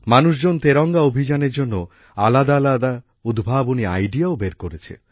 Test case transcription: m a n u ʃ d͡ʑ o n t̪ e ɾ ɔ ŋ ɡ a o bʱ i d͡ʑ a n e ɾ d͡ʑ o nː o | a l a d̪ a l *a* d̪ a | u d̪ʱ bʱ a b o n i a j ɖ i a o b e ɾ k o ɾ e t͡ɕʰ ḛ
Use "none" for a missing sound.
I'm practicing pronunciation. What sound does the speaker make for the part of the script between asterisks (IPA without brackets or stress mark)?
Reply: a